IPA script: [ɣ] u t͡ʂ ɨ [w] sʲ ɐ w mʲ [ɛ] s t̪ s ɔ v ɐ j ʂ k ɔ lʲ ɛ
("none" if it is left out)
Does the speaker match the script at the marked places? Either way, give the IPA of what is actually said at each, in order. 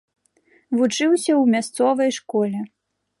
v, w, a

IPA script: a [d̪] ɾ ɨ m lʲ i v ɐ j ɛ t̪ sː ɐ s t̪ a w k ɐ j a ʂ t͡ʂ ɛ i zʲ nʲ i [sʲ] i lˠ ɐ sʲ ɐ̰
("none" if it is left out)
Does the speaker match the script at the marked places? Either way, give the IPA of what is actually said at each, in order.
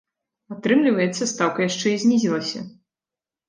t̪, zʲ

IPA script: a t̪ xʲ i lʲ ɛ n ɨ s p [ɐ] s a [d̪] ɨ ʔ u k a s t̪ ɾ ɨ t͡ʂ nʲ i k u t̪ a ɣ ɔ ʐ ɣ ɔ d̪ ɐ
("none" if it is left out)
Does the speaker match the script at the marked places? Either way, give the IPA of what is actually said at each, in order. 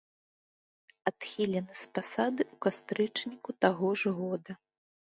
a, d̪

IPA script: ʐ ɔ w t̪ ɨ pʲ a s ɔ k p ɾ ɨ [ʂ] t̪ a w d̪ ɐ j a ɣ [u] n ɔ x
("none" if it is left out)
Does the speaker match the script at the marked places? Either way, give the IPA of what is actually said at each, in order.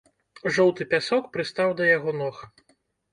s, ɔ

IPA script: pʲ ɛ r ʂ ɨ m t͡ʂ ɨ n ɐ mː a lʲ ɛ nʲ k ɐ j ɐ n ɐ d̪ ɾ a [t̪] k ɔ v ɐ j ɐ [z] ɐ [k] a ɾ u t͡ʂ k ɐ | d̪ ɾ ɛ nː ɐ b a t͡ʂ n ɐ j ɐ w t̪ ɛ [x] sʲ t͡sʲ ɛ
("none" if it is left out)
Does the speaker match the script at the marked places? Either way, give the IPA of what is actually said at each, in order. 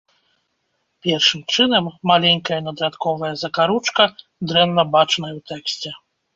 t̪, z, k, k

